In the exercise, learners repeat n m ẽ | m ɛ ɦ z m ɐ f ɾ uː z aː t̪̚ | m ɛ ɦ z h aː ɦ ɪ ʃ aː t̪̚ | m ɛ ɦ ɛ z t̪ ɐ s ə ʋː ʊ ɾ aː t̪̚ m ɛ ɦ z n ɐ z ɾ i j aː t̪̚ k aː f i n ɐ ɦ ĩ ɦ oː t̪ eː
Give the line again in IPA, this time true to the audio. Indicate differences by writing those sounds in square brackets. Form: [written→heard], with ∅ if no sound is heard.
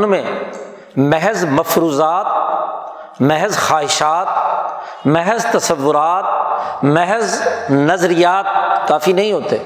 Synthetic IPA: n m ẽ | m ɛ ɦ z m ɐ f ɾ uː z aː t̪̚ | m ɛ ɦ z [h→x] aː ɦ ɪ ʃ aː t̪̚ | m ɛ ɦ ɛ z t̪ ɐ s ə ʋː ʊ ɾ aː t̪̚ m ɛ ɦ z n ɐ z ɾ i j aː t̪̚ k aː f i n ɐ ɦ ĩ ɦ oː t̪ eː